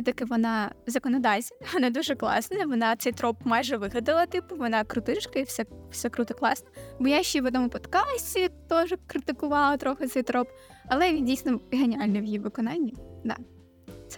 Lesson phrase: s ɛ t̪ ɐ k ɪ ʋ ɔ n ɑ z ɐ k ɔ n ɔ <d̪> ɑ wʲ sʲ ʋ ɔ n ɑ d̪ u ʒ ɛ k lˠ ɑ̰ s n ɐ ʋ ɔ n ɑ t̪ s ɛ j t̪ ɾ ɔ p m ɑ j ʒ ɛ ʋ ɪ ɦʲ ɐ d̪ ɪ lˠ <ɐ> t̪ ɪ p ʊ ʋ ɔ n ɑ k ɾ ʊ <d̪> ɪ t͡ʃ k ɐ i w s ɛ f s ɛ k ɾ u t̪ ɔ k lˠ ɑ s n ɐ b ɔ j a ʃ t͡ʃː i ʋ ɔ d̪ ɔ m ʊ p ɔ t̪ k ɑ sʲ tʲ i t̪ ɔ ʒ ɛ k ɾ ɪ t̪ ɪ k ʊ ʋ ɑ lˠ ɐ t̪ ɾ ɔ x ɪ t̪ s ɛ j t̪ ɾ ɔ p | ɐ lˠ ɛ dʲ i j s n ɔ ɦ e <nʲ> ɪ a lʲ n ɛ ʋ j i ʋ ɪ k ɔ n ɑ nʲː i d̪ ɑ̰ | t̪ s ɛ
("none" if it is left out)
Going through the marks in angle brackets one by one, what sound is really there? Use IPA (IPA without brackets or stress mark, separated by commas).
d̪, ɐ, t̪, nʲ